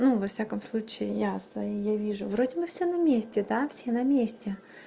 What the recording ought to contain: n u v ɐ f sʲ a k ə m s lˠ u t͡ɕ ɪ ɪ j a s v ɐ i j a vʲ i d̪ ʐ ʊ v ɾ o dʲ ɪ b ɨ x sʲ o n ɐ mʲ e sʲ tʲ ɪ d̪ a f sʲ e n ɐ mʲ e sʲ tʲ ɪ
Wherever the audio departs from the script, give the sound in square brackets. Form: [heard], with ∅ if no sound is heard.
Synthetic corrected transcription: n u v ɐ f sʲ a k ə m s lˠ u t͡ɕ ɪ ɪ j a s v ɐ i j a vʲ i [∅] ʐ ʊ v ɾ o dʲ ɪ b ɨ [f] sʲ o n ɐ mʲ e sʲ tʲ ɪ d̪ a f sʲ e n ɐ mʲ e sʲ tʲ ɪ